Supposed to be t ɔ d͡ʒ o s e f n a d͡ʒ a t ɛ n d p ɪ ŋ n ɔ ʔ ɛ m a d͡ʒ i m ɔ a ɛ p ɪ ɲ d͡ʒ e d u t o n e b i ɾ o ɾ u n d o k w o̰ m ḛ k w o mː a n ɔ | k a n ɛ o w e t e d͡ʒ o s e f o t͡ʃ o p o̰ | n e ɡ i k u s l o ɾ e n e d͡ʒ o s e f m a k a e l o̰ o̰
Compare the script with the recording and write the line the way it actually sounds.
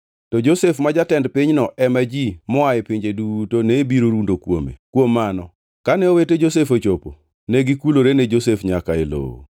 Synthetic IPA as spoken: t ɔ d͡ʒ o s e f m a d͡ʒ a t ɛ n d p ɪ ɲ n ɔ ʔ ɛ m a d͡ʒ i m ɔ a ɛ p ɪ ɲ d͡ʒ e d u t o n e b i ɾ o ɾ u n d o k w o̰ m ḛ k w o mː a n ɔ | k a n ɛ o w e t e d͡ʒ o s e f o t͡ʃ o p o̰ | n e ɡ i k u l o ɾ e n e d͡ʒ o s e f ɲ a k a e l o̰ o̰